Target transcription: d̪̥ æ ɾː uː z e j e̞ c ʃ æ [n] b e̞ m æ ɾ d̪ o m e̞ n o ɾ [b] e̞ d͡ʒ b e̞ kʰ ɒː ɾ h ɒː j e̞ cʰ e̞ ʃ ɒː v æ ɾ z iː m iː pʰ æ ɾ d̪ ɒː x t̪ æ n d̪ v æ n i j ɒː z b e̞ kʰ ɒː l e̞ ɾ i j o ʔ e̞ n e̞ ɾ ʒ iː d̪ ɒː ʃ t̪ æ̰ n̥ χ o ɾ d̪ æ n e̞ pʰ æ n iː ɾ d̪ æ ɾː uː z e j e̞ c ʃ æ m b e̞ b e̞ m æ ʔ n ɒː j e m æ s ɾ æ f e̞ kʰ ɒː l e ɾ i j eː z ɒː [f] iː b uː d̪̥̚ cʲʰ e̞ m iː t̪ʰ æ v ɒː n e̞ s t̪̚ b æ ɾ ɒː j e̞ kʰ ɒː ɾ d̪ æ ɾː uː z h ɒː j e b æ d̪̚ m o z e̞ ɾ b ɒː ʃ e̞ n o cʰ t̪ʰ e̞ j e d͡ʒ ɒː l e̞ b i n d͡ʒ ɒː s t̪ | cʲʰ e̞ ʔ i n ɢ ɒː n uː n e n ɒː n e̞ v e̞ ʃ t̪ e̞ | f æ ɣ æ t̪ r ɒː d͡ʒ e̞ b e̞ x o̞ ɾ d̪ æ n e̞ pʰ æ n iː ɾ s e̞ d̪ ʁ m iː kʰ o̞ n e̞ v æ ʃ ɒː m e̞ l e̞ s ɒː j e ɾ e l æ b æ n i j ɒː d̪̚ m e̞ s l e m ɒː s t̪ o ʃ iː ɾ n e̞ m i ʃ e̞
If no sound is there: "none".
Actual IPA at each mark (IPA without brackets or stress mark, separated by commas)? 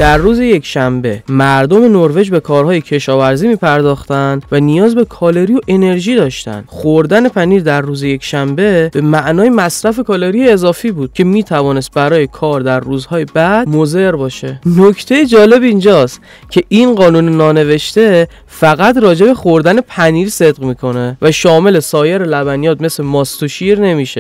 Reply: m, v, f